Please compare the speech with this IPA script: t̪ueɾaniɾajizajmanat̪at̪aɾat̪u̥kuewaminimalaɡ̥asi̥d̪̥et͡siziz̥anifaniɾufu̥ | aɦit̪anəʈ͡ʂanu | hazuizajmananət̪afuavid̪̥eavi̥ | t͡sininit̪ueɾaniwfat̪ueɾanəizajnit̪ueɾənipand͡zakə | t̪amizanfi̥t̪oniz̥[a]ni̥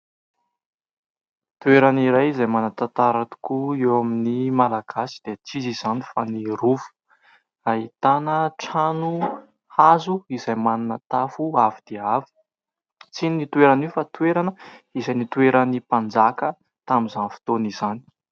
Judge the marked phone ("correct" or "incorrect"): correct